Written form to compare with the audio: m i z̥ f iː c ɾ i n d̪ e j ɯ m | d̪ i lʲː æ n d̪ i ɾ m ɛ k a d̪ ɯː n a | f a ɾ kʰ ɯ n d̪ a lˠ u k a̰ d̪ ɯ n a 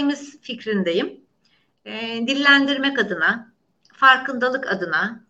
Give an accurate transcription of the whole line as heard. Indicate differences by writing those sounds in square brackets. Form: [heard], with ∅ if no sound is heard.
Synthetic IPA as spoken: m i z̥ f [i] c ɾ i n d̪ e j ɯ m | d̪ i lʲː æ n d̪ i ɾ m ɛ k a d̪ [ɯ] n a | f a ɾ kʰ ɯ n d̪ a lˠ [ɯ] k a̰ d̪ ɯ n a